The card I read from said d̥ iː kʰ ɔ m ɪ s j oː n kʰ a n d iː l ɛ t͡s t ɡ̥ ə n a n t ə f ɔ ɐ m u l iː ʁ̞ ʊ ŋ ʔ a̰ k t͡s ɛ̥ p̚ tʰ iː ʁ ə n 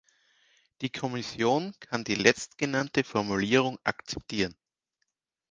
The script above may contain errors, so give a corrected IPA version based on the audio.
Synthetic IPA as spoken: d̥ iː kʰ ɔ m ɪ s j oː n kʰ a n d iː l ɛ t͡s t ɡ̥ ə n a n t ə f ɔ ɐ m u l iː ʁ̞ ʊ ŋ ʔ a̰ k t͡s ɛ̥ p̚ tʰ iː ʁ ə n